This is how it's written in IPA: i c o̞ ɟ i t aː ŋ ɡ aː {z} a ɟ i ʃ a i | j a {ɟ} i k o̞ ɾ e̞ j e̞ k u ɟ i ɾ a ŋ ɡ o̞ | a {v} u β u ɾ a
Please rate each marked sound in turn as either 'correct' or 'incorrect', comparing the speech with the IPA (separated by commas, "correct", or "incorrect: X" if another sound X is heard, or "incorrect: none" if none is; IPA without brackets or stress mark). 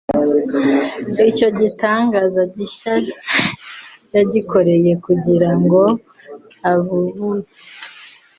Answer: correct, correct, incorrect: β